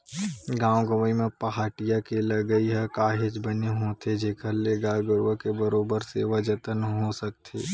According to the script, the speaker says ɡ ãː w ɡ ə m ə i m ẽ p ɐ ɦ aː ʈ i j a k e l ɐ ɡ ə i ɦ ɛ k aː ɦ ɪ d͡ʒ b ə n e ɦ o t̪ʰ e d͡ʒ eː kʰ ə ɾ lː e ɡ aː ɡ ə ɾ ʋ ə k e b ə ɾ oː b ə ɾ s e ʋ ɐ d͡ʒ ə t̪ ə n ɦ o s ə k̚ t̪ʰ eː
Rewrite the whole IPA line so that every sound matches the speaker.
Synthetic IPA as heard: ɡ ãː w ɡ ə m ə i m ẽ p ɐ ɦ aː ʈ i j a k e l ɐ ɡ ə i ɦ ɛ k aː ɦ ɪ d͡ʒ b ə n e ɦ o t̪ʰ e d͡ʒ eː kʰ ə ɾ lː e ɡ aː ɡ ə ɾ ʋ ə k e b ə ɾ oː b ə ɾ s e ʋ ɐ d͡ʒ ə t̪ ə n ɦ o s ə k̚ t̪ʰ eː